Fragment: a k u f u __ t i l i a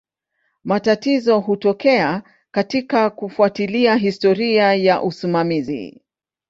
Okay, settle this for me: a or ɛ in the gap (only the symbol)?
a